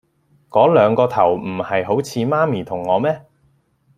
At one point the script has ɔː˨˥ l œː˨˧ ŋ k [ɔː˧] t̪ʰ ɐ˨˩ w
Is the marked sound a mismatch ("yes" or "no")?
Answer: no